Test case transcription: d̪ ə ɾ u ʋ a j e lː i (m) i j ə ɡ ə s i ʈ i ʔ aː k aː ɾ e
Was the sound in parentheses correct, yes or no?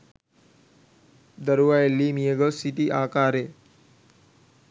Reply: yes